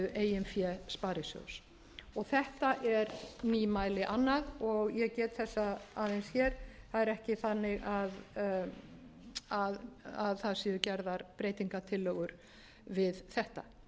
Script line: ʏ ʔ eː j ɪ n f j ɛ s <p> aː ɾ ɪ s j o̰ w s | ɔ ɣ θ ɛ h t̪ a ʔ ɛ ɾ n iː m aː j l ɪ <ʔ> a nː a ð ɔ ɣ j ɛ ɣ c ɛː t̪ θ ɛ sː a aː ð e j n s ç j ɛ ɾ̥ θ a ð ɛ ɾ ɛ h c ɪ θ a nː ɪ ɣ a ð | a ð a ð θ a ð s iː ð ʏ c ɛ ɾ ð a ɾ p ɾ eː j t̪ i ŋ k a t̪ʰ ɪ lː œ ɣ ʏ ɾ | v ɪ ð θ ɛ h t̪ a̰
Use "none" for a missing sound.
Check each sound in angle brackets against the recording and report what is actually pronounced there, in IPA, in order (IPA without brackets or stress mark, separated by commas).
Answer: p, ʔ